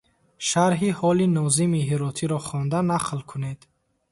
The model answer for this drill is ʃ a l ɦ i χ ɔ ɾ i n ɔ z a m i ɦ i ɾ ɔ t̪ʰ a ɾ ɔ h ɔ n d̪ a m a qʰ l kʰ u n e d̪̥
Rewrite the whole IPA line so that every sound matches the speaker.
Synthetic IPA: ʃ a ɾ ɦ i h ɔ l i n ɔ z i m i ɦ i ɾ ɔ t̪ʰ i ɾ ɔ χ ɔ n d̪ a n a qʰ l kʰ u n e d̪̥